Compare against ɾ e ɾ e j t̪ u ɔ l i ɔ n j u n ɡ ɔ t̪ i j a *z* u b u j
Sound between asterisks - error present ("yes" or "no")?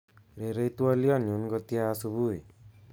yes